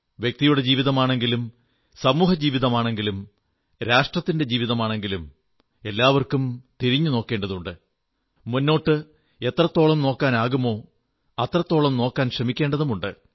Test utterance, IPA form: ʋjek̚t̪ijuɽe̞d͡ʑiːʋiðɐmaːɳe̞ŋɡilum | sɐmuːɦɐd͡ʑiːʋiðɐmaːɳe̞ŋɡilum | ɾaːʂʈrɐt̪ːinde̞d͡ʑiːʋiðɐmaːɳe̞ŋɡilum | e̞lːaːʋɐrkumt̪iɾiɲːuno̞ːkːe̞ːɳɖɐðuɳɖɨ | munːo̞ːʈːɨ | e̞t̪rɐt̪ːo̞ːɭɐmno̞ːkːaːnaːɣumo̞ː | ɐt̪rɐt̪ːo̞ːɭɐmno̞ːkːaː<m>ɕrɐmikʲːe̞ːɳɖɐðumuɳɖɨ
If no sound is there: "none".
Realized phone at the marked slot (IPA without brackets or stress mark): n